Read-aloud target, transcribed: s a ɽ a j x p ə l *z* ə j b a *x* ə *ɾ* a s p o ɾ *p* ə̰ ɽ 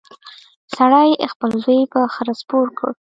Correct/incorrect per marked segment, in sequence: correct, correct, correct, incorrect

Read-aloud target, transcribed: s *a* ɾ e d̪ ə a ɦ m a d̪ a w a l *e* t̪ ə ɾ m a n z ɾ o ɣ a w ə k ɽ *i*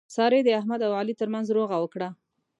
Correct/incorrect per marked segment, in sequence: incorrect, incorrect, incorrect

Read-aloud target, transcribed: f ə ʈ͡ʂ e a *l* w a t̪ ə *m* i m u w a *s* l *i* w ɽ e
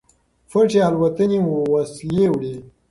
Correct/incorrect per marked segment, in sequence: correct, incorrect, correct, incorrect

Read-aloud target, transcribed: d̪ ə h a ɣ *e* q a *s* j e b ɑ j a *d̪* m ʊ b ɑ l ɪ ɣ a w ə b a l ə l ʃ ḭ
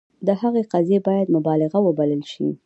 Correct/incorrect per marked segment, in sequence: correct, incorrect, correct

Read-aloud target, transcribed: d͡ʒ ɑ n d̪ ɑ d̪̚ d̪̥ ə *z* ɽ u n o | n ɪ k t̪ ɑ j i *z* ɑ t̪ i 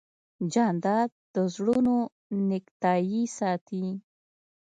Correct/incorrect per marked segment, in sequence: correct, incorrect

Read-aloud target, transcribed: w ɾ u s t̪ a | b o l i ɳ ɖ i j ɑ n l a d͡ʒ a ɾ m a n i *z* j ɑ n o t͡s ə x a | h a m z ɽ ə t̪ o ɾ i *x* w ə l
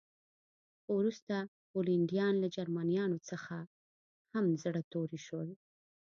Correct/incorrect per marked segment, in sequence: incorrect, incorrect

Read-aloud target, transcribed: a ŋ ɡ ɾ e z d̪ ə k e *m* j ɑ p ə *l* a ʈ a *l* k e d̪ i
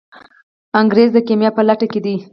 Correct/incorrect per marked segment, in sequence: correct, correct, incorrect

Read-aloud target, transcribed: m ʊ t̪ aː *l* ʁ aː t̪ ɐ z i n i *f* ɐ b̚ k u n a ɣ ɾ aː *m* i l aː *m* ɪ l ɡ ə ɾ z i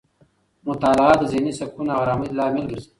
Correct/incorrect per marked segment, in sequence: correct, incorrect, correct, correct

